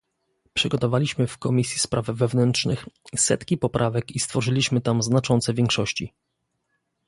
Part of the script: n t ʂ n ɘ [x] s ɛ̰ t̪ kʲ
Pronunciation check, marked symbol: correct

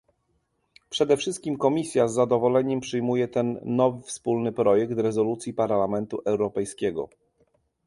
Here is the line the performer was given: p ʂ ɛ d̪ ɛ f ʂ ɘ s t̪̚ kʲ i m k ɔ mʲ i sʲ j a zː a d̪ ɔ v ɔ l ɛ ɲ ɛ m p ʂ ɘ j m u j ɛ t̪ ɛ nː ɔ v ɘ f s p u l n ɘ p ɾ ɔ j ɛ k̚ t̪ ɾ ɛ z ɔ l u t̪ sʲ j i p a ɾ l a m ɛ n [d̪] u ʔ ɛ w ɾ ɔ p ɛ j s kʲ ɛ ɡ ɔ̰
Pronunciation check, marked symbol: incorrect: t̪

